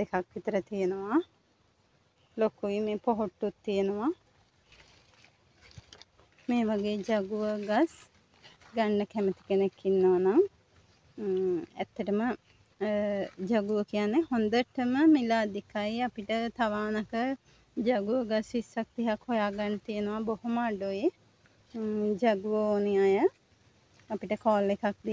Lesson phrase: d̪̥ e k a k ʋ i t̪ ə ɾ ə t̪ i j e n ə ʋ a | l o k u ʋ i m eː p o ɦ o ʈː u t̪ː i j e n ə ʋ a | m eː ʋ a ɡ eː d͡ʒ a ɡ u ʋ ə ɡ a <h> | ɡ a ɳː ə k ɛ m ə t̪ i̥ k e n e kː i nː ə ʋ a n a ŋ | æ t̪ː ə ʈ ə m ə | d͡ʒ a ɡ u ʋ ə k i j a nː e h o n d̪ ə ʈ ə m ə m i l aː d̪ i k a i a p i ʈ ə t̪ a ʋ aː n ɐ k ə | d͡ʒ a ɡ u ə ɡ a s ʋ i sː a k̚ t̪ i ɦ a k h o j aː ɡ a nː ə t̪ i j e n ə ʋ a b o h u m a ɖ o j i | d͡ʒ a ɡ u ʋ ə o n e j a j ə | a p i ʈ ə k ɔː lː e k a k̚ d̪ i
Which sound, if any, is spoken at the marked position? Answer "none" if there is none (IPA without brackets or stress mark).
s